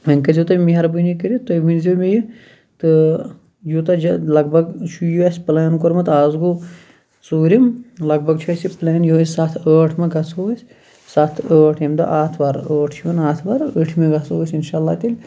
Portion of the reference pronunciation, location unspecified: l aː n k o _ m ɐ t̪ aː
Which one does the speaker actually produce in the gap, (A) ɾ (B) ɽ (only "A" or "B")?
A